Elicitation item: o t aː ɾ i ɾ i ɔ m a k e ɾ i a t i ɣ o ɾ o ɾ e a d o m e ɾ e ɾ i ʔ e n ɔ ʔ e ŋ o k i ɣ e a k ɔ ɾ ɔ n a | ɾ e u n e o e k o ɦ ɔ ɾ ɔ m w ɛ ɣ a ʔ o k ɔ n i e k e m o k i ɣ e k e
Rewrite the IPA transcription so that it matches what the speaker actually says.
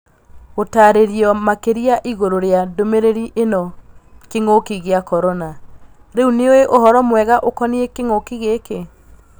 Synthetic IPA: o t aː ɾ e ɾ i ɔ m a k e ɾ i a ʔ i ɣ o ɾ o ɾ e a d o m e ɾ e ɾ i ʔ e n ɔ k e ŋ o k i ɣ e a k ɔ ɾ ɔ n a | ɾ e u n e o e ʔ o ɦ ɔ ɾ ɔ m w ɛ ɣ a ʔ o k ɔ n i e k e ŋ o k i ɣ e k e